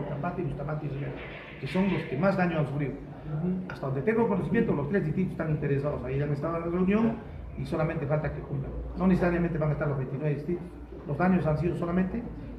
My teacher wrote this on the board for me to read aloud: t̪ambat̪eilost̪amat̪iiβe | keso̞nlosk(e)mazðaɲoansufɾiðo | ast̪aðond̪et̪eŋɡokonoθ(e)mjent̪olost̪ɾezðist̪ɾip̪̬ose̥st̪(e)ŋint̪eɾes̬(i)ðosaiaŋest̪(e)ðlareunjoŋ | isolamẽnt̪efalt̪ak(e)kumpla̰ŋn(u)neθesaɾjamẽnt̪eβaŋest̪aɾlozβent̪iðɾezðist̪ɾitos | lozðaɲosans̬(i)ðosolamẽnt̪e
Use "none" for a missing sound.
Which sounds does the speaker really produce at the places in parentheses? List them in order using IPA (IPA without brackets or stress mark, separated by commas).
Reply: e, i, a, a, a, e, o, i